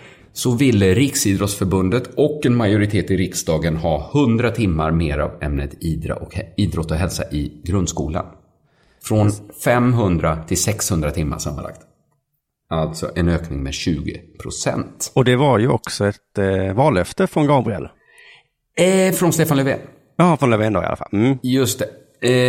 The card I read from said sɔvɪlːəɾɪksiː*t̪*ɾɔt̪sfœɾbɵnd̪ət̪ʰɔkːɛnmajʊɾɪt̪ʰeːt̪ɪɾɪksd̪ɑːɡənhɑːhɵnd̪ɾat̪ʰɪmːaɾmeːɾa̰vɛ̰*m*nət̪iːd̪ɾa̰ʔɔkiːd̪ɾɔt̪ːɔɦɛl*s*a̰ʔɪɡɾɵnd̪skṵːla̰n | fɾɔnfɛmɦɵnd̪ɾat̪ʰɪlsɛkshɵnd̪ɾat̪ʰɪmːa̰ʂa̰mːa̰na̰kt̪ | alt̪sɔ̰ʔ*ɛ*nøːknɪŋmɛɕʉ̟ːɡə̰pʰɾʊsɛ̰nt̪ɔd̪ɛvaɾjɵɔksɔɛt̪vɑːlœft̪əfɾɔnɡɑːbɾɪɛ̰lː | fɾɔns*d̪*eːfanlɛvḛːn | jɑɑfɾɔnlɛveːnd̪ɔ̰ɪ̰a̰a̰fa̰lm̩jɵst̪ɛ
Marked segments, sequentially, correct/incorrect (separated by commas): incorrect, correct, correct, correct, incorrect